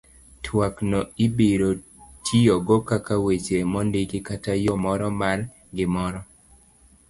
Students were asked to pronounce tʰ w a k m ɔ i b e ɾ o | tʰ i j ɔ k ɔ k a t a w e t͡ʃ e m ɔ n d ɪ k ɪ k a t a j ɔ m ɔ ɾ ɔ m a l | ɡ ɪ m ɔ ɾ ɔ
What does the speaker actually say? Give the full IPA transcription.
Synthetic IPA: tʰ w a k n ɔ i b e ɾ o | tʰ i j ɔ ɡ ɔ k a k a w e t͡ʃ e m ɔ n d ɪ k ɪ k a t a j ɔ m ɔ ɾ ɔ m a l | ɡ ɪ m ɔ ɾ ɔ